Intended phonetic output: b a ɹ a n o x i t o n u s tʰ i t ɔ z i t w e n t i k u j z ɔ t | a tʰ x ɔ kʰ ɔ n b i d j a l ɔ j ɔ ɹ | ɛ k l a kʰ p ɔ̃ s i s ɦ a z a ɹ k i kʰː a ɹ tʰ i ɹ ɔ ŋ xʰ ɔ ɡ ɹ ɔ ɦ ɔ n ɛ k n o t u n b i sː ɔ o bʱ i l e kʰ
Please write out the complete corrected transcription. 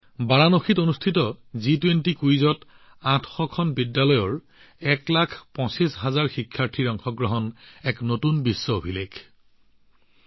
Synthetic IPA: b a ɹ a n o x i t o n u s tʰ i t ɔ z i t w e n t i k u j z ɔ t | a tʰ x ɔ kʰ ɔ n b i d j a l ɔ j ɔ ɹ | ɛ k l a kʰ p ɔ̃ s i s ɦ a z a ɹ x i kʰː a ɹ tʰ i ɹ ɔ ŋ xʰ ɔ ɡ ɹ ɔ ɦ ɔ n ɛ k n o t u n b i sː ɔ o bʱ i l e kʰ